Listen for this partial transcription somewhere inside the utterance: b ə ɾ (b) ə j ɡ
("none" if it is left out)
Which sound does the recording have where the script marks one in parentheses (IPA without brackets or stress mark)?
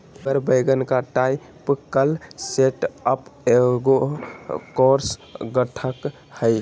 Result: b